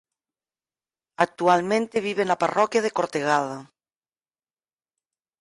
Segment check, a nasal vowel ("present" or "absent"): present